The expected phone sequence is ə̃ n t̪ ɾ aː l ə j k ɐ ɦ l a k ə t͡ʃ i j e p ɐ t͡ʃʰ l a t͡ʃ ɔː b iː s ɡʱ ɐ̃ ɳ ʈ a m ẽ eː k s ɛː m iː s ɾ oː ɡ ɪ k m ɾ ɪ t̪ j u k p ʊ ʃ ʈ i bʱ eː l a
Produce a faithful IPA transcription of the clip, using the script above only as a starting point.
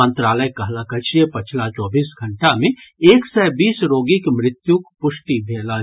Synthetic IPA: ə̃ n t̪ ɾ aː l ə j k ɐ ɦ l a k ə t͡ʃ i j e p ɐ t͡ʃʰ l a t͡ʃ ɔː b iː s ɡʱ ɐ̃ ɳ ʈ a m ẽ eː k s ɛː b iː s ɾ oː ɡ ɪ k m ɾ ɪ t̪ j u k p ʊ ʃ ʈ i bʱ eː l a